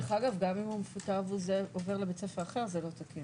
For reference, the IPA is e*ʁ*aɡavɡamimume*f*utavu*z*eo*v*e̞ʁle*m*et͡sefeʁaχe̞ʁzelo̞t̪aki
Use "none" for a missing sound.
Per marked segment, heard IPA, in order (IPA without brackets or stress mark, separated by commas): χ, f, z, v, b